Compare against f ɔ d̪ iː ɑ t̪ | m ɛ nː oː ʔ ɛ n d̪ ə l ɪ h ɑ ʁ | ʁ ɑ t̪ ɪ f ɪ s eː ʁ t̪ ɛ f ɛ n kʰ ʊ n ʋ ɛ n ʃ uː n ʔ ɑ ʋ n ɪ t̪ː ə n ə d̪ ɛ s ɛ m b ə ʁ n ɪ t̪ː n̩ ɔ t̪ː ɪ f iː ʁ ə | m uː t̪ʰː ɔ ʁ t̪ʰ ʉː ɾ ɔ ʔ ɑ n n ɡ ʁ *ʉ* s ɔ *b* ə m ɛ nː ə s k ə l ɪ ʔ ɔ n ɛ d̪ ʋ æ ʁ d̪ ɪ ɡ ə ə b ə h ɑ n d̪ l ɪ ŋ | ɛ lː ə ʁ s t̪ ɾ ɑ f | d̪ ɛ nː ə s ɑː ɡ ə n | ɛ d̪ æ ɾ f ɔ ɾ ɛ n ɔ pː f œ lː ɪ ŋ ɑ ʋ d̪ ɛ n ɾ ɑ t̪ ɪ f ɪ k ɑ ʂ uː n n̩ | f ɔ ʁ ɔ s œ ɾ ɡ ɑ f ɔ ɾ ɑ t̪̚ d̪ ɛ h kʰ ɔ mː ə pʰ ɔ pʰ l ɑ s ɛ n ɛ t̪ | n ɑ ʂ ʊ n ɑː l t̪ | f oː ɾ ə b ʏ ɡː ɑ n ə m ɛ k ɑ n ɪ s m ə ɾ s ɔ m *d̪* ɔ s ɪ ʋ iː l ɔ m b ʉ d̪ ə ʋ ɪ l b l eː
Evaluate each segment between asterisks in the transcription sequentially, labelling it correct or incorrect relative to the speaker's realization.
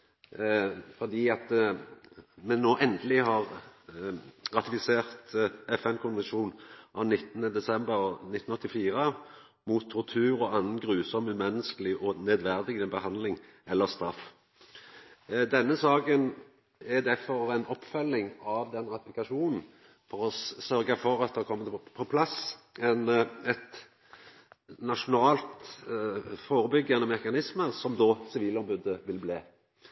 incorrect: ʉː, incorrect: m, correct

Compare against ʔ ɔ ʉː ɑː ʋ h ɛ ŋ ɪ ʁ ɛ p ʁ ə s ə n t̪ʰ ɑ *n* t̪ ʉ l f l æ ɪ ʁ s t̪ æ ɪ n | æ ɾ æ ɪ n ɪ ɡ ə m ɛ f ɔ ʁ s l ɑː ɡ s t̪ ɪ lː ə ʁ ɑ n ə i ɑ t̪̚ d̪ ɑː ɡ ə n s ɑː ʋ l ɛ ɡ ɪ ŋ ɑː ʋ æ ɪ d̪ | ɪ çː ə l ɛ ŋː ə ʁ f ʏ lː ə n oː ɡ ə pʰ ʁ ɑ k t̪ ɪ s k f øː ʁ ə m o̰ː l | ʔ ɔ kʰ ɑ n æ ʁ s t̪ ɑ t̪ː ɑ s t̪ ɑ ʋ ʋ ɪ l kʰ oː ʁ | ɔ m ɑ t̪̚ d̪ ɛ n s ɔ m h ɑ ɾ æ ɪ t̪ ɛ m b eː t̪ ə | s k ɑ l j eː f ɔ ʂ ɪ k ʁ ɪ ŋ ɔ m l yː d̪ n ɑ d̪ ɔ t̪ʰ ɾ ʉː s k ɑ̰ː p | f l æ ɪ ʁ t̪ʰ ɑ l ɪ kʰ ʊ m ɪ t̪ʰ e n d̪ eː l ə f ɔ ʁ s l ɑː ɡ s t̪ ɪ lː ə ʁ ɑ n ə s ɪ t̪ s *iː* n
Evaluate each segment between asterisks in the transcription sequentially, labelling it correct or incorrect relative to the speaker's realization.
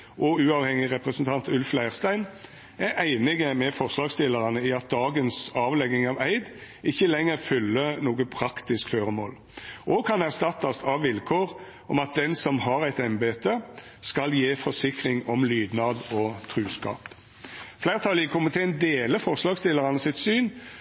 correct, incorrect: yː

